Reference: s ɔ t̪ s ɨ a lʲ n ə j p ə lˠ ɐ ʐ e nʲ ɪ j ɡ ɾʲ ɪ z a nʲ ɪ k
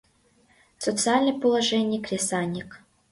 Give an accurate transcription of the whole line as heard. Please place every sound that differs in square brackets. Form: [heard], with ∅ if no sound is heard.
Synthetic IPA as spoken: s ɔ t̪ s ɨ a lʲ n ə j p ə lˠ ɐ ʐ [ɛ] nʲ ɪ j [k] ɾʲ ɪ [s] a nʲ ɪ k